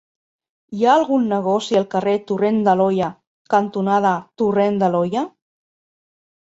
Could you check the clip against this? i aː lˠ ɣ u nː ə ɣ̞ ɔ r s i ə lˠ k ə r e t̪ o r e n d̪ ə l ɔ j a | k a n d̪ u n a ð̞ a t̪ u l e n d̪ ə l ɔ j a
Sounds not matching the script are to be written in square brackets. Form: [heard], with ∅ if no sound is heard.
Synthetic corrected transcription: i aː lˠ ɣ u nː ə ɣ̞ ɔ [∅] s i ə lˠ k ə r e t̪ [u] r e n d̪ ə l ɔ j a | k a n [t̪] u n a ð̞ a t̪ u [r] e n d̪ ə l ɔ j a